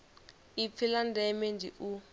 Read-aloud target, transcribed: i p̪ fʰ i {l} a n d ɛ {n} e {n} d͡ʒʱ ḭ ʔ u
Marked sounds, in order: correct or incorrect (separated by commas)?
correct, incorrect, correct